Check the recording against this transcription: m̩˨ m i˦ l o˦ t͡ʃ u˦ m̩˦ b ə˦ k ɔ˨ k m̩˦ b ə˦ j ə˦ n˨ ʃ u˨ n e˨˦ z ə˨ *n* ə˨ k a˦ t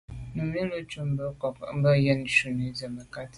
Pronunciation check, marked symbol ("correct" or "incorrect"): incorrect